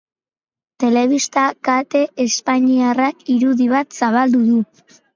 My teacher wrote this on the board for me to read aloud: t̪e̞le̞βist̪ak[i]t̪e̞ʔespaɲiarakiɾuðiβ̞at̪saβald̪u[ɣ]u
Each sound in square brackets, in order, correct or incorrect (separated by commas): incorrect, incorrect